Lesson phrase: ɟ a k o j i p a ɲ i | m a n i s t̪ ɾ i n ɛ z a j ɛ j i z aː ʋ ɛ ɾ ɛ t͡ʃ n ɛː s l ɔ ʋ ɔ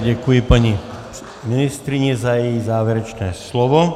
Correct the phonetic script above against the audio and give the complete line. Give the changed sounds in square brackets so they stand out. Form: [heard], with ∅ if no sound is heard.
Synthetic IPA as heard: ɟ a k [u] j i p a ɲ i | m [i] n i s t̪ ɾ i [ɲ] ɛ z a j ɛ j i z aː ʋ ɛ ɾ ɛ t͡ʃ n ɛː s l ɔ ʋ ɔ